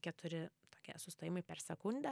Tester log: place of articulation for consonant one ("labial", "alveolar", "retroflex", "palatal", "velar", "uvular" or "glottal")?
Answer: velar